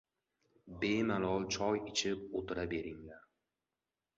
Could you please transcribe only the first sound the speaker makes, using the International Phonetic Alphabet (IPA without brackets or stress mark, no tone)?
b